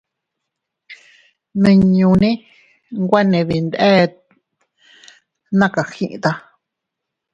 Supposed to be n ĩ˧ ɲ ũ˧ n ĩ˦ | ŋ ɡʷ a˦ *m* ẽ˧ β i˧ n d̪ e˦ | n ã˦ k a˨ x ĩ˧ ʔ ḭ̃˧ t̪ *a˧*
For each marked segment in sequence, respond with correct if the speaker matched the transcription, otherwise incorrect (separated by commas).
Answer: incorrect, correct